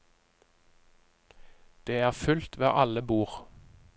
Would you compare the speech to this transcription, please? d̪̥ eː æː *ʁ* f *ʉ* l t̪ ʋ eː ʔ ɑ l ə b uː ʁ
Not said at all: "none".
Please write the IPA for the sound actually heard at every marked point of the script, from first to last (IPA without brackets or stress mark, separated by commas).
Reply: ʁ, ʉ